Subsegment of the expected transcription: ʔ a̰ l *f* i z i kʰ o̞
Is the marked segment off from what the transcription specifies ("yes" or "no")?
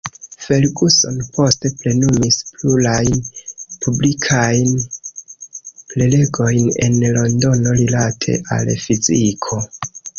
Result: no